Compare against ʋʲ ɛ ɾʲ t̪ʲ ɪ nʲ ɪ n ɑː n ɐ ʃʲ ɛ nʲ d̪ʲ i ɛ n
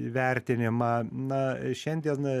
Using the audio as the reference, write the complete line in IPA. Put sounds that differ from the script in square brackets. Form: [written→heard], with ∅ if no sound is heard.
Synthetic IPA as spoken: ʋʲ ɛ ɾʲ t̪ʲ ɪ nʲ ɪ [n→m] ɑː n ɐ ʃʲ ɛ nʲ d̪ʲ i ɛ n